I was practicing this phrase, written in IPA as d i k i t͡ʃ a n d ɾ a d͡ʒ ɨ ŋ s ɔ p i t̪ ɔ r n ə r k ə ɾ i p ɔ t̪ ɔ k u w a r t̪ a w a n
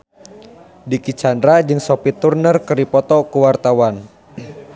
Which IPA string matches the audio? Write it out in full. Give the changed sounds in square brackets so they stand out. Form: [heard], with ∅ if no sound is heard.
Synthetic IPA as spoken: d i k i t͡ʃ a n d ɾ a d͡ʒ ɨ ŋ s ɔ p i t̪ [u] r n ə r k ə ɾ i p ɔ t̪ ɔ k u w a r t̪ a w a n

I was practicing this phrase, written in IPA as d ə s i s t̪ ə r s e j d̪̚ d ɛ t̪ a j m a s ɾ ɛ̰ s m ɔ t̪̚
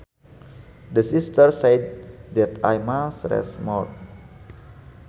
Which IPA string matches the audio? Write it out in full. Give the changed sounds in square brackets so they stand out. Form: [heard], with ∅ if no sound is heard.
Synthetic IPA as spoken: d ə s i s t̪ ə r s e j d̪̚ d ɛ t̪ a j m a s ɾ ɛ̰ s m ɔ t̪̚

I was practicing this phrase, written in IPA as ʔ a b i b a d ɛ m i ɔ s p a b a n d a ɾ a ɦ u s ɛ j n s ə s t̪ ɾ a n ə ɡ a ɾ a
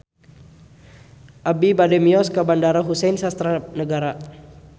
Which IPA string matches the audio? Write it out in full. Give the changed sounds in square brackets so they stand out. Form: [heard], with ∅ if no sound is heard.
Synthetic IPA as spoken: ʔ a b i b a d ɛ m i ɔ s [k] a b a n d a ɾ a ɦ u s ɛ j n s [a] s t̪ ɾ a n ə ɡ a ɾ a

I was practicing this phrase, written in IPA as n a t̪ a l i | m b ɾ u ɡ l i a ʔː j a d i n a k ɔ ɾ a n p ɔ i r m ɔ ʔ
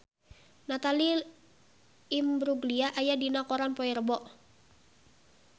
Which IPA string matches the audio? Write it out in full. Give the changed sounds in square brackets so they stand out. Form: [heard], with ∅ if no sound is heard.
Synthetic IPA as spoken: n a t̪ a l i | m b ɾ u ɡ l i a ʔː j a d i n a k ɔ ɾ a n p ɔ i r [b] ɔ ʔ

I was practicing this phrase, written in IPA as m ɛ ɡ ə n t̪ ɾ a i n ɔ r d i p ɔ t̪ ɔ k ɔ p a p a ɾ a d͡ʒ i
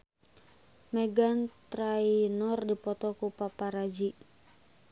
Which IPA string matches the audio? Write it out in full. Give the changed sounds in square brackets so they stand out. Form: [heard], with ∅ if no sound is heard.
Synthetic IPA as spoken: m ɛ ɡ [a] n t̪ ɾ a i n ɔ r d i p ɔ t̪ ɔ k [u] p a p a ɾ a d͡ʒ i

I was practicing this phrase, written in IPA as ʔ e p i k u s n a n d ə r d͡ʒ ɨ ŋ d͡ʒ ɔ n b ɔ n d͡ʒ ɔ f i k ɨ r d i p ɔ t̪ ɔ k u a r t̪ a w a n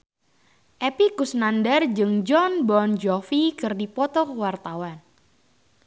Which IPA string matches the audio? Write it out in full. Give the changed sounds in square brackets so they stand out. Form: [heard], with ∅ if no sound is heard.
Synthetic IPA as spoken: ʔ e p i k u s n a n d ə r d͡ʒ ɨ ŋ d͡ʒ ɔ n b ɔ n d͡ʒ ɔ f i k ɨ r d i p ɔ t̪ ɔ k [w] a r t̪ a w a n

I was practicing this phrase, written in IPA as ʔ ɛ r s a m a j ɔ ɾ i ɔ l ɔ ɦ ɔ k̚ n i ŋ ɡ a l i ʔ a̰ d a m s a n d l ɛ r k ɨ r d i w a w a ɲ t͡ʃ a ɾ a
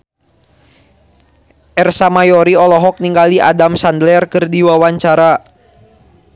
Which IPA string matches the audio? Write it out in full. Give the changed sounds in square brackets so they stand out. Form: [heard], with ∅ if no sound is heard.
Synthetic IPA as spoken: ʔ ɛ r s a m a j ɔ ɾ i ɔ l ɔ ɦ ɔ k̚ n i ŋ ɡ a l i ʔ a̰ d a m s a n d l ɛ r k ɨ r d i w a w a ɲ t͡ʃ a ɾ a

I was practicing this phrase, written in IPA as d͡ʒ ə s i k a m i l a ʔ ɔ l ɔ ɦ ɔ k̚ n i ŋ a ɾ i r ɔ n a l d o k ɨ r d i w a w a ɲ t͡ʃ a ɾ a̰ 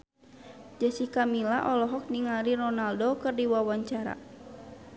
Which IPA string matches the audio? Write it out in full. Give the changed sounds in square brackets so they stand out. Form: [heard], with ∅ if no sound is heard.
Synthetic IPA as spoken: d͡ʒ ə s i k a m i l a ʔ ɔ l ɔ ɦ ɔ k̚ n i ŋ a ɾ i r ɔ n a l d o k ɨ r d i w a w a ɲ t͡ʃ a ɾ a̰

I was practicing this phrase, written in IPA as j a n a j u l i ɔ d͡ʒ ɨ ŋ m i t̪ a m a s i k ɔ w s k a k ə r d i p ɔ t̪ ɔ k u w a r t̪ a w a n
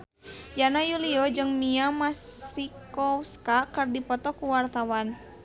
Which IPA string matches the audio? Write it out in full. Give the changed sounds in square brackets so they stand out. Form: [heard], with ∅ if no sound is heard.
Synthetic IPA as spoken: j a n a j u l i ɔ d͡ʒ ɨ ŋ m i [∅] a m a s i k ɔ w s k a k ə r d i p ɔ t̪ ɔ k u w a r t̪ a w a n

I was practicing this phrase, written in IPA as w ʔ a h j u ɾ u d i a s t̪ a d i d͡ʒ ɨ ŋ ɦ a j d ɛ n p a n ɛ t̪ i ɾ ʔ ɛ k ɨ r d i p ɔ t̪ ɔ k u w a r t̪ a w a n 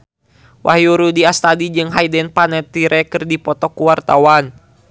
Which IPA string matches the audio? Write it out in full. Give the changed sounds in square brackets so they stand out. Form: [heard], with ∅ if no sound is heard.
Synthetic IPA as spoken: w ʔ a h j u ɾ u d i a s t̪ a d i d͡ʒ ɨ ŋ ɦ a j d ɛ n p a n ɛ t̪ i ɾ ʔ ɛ k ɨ r d i p ɔ t̪ ɔ k u w a r t̪ a w a n

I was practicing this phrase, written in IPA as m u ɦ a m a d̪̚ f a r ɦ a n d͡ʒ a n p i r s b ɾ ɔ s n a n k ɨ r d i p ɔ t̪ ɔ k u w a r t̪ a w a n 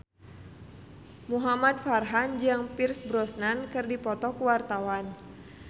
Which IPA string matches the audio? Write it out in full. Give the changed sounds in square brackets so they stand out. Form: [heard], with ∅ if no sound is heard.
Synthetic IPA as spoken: m u ɦ a m a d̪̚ f a r ɦ a n d͡ʒ a [ŋ] p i r s b ɾ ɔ s n a n k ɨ r d i p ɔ t̪ ɔ k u w a r t̪ a w a n

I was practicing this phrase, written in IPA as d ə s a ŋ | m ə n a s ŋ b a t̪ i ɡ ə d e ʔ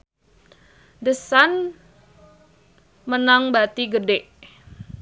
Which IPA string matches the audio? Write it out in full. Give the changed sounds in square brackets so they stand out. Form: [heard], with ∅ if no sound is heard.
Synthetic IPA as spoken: d ə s a [n] | m ə n a [∅] ŋ b a t̪ i ɡ ə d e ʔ

